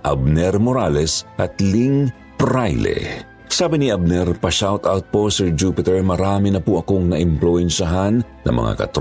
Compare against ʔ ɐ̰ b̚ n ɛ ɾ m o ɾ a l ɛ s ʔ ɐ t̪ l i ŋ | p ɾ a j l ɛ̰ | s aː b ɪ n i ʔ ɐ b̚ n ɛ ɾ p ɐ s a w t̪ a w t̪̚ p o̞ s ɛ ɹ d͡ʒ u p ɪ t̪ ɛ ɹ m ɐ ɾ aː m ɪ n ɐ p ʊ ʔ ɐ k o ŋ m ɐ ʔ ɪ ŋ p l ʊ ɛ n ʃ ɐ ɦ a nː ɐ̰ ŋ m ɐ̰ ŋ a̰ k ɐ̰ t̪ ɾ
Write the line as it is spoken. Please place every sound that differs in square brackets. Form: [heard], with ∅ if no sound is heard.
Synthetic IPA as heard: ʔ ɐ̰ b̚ n ɛ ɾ m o ɾ a l ɛ s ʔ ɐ t̪ l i ŋ | p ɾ a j l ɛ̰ | s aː b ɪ n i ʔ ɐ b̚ n ɛ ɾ p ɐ [ʃ] a w t̪ a w t̪̚ p o̞ s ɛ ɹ d͡ʒ u p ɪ t̪ ɛ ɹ m ɐ ɾ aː m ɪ n ɐ p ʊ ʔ ɐ k o ŋ [n] ɐ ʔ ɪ [m] p l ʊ ɛ n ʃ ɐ ɦ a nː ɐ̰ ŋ m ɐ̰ ŋ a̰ k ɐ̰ t̪ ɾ